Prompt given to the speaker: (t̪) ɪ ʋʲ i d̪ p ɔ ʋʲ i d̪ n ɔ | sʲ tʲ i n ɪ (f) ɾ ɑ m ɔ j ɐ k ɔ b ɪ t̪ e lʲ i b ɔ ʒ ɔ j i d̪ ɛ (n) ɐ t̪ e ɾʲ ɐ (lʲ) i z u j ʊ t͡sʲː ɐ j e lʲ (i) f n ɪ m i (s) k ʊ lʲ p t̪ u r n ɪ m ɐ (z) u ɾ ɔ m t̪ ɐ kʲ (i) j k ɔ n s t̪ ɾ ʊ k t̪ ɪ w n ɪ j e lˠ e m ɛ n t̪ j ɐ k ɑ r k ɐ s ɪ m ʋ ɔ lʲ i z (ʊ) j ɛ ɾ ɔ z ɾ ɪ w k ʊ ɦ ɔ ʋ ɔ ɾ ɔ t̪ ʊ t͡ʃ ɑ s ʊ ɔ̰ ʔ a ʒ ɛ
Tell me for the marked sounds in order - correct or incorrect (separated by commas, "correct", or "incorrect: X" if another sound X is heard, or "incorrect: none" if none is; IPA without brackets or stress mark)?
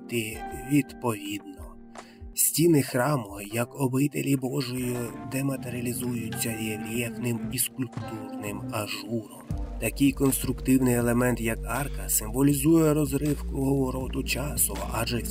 correct, incorrect: x, incorrect: m, correct, incorrect: ɛ, correct, incorrect: ʒ, incorrect: ɪ, incorrect: u